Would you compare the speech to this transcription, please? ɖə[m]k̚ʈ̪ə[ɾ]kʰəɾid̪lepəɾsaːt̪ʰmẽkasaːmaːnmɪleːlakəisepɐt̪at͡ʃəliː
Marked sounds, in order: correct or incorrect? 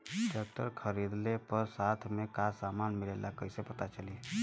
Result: incorrect, correct

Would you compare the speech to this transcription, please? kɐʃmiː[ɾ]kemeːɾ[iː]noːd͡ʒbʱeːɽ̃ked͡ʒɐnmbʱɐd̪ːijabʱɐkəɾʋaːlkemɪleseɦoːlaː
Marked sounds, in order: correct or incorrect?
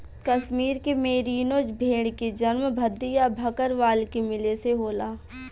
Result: correct, correct

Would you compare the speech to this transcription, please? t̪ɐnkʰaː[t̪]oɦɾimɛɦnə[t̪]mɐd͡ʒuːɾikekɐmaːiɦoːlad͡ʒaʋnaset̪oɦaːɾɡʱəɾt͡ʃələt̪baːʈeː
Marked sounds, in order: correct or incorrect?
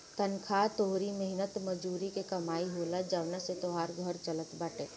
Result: correct, correct

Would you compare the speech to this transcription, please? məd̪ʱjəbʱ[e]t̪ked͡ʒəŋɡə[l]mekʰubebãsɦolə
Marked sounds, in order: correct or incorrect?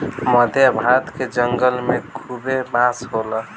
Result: incorrect, correct

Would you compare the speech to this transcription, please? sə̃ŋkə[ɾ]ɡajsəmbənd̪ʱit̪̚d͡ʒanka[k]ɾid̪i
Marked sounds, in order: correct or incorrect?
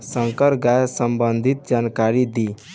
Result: correct, incorrect

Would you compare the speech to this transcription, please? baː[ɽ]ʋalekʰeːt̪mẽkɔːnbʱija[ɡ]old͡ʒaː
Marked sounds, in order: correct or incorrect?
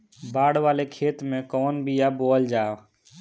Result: correct, incorrect

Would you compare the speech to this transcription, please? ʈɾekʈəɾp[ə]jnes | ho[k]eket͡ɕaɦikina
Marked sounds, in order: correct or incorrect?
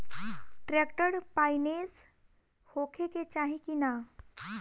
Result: incorrect, incorrect

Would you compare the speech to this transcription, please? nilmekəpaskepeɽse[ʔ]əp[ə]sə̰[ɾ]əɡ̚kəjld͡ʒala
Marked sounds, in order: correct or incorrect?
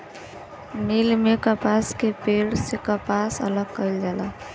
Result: incorrect, incorrect, incorrect

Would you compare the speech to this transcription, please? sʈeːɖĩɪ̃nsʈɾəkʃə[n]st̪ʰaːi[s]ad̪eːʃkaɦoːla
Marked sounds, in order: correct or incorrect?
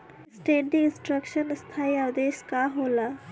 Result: correct, incorrect

